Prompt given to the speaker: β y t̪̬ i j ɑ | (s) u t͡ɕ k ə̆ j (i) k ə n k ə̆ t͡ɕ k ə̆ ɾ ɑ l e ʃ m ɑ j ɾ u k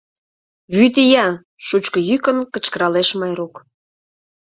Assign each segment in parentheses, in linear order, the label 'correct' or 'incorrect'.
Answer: incorrect, incorrect

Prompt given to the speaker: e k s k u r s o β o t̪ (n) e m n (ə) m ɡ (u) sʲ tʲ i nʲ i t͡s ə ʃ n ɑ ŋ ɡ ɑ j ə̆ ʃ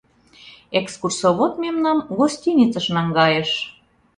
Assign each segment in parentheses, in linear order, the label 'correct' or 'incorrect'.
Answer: incorrect, incorrect, incorrect

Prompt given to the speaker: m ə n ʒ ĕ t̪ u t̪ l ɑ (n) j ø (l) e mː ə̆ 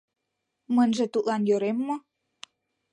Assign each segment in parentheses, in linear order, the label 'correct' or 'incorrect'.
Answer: correct, incorrect

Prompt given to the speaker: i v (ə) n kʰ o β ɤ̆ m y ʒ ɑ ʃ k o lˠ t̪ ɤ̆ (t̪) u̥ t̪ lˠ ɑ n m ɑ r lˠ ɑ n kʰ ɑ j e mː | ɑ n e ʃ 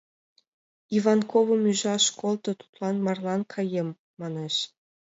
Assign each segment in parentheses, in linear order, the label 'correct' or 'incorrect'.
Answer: incorrect, correct

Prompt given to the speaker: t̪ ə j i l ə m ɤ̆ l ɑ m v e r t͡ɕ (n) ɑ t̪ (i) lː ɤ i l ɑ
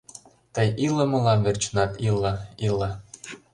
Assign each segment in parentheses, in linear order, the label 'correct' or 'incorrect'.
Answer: correct, correct

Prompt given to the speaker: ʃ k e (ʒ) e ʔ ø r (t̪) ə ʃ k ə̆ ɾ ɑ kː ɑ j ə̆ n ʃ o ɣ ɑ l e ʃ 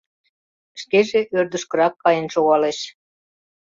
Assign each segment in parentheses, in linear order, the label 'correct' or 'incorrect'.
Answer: correct, incorrect

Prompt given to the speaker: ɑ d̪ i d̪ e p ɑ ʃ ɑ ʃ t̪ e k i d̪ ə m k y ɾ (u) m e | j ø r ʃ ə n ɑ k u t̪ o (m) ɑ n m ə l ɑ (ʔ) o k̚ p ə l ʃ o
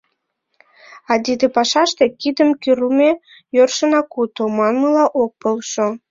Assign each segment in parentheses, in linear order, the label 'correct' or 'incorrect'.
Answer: correct, correct, correct

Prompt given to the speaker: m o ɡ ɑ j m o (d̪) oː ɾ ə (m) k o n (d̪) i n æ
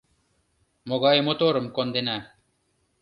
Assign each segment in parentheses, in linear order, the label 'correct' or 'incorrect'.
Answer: incorrect, correct, correct

